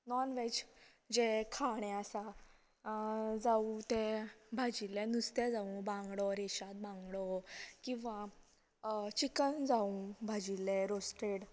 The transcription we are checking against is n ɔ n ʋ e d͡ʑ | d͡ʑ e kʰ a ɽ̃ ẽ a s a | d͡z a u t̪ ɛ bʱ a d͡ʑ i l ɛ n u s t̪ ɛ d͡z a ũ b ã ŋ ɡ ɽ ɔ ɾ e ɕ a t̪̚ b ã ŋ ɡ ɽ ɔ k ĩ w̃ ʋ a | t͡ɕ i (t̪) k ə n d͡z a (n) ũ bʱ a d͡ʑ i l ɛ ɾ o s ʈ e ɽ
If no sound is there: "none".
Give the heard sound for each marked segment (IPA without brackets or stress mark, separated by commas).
none, none